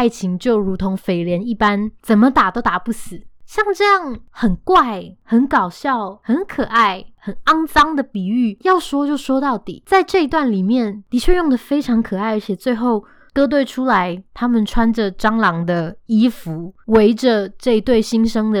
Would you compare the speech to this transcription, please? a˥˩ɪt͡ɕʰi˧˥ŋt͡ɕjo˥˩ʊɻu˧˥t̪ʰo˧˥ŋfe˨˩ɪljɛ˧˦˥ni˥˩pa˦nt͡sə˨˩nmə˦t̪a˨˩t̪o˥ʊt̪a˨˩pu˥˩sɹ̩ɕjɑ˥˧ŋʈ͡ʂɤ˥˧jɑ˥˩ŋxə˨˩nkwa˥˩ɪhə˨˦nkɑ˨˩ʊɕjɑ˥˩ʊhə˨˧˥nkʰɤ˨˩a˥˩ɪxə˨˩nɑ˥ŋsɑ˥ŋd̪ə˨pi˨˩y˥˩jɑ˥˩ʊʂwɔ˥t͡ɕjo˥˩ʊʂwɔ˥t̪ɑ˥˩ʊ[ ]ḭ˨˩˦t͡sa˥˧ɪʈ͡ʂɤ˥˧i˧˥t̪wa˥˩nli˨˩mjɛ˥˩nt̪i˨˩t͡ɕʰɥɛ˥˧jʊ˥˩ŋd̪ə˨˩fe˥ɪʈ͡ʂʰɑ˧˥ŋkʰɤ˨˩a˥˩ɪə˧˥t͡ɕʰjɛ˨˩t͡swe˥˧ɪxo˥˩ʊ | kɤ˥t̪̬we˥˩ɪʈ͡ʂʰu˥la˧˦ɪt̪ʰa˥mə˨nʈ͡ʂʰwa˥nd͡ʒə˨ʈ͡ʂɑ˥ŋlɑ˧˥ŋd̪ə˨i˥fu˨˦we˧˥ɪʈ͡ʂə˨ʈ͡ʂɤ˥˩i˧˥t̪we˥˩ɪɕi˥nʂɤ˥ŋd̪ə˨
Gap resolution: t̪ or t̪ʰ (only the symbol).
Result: t̪